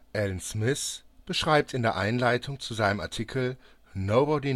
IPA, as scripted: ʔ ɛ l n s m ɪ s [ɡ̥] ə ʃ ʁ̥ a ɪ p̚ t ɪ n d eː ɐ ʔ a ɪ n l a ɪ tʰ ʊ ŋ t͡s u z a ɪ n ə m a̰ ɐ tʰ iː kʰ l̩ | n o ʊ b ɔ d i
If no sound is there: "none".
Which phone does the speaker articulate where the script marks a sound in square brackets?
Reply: b̥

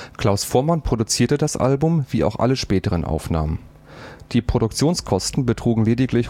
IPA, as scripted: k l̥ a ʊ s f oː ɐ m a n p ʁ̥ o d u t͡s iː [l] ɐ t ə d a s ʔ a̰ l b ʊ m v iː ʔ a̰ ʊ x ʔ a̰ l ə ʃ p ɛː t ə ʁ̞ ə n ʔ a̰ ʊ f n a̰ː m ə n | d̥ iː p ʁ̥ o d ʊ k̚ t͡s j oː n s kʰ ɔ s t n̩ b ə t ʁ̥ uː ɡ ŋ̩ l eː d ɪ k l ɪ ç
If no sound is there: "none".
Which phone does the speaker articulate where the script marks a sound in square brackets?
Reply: none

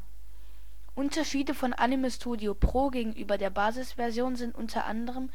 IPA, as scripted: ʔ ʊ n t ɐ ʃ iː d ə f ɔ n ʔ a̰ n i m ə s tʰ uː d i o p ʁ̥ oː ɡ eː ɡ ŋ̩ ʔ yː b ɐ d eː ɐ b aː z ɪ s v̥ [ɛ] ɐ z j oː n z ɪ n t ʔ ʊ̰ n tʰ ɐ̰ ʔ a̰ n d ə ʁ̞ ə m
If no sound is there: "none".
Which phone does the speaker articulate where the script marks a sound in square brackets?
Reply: ɛ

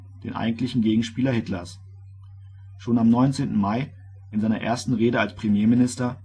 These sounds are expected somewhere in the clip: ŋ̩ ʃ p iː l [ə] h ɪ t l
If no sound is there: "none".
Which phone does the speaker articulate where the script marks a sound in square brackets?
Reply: ɐ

